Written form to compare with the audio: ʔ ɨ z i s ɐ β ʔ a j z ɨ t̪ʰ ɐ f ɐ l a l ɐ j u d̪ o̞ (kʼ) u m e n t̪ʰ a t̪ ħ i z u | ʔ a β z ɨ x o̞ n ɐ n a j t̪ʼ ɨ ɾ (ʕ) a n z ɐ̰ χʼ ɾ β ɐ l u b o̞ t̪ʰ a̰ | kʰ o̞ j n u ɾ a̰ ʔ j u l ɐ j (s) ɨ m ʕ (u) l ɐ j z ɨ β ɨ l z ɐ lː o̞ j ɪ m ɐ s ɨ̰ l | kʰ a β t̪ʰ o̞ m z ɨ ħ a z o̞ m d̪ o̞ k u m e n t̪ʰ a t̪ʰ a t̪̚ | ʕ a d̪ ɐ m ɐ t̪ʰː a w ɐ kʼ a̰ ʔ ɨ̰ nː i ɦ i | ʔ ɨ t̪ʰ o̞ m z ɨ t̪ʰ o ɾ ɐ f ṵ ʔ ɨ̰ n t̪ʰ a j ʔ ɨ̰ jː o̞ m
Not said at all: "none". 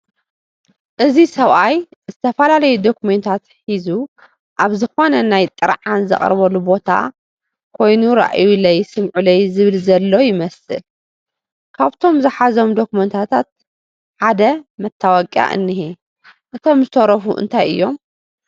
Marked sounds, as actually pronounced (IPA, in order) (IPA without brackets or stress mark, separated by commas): k, ʕ, s, u